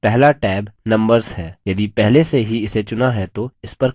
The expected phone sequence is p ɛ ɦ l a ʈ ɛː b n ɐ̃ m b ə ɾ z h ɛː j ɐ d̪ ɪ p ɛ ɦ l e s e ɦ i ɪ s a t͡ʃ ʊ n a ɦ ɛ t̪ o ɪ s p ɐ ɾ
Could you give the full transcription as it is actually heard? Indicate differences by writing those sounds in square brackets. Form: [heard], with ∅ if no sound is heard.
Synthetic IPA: p ɛ ɦ l a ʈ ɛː b n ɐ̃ m b ə ɾ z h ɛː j ɐ d̪ [i] p ɛ ɦ l e s e ɦ i ɪ s [e] t͡ʃ ʊ n a ɦ ɛ t̪ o ɪ s p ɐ ɾ